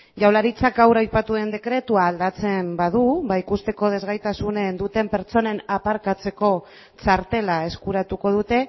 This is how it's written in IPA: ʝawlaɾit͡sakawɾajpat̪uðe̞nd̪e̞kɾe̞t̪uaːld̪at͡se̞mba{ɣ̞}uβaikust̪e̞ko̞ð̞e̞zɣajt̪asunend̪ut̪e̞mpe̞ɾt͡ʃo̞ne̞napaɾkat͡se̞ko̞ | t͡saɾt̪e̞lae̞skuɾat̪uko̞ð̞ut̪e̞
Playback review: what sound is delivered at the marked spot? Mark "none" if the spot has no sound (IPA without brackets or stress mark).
ð̞